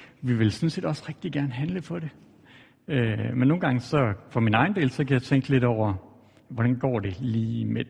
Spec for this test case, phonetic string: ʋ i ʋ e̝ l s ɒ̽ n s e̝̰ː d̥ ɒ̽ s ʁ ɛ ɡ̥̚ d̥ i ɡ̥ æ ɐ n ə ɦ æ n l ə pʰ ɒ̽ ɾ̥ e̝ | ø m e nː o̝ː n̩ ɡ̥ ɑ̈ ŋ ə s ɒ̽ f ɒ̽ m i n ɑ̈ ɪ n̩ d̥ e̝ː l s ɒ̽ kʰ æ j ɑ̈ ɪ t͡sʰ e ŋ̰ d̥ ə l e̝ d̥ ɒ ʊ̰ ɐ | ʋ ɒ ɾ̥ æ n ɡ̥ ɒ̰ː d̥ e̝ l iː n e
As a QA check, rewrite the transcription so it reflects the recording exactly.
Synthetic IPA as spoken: ʋ i ʋ e̝ l s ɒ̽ n s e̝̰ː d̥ ɒ̽ s ʁ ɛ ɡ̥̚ d̥ i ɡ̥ æ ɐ n ə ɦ æ n l ə pʰ ɒ̽ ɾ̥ e̝ | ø m e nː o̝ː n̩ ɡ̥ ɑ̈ ŋ ə s ɒ̽ f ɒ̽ m i n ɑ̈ ɪ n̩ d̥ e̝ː l s ɒ̽ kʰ æ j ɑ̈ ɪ t͡sʰ e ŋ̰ ɡ̥ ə l e̝ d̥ ɒ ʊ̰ ɐ | ʋ ɒ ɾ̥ æ n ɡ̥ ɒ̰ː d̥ e̝ l iː m e